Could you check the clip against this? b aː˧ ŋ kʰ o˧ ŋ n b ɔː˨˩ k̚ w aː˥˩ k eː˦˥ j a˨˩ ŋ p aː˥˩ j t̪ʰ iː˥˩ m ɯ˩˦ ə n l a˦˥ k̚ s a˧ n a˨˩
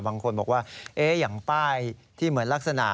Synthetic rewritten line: b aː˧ ŋ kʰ o˧ n b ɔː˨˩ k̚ w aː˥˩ ʔ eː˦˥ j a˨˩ ŋ p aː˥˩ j t̪ʰ iː˥˩ m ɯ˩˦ ə n l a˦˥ k̚ s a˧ n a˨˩